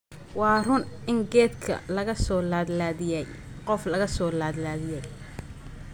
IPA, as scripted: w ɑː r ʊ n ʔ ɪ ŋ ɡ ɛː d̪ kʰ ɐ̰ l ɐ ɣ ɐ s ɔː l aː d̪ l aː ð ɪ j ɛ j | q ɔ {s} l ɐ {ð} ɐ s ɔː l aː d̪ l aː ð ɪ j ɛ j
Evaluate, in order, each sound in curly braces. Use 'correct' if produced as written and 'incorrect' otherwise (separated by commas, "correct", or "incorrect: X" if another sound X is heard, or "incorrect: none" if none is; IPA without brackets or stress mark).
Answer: incorrect: f, incorrect: ɣ